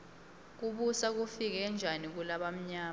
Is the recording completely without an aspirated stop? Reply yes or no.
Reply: yes